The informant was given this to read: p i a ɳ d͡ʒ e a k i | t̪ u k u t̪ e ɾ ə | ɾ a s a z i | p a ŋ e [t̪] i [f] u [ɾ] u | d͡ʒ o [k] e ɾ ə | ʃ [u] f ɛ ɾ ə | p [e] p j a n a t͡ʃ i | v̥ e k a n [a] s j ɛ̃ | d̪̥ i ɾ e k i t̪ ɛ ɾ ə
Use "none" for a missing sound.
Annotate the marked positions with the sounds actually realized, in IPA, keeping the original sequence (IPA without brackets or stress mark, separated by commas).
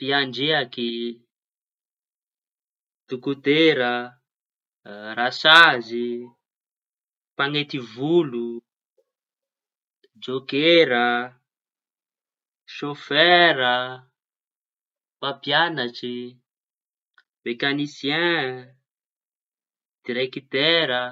t̪, v, l, k, o, a, i